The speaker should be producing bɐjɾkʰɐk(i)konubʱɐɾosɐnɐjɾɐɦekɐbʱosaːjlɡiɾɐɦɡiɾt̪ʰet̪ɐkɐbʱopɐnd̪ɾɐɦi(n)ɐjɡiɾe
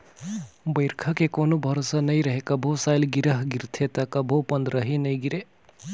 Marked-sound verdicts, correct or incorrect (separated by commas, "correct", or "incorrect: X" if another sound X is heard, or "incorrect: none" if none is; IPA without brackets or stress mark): incorrect: e, correct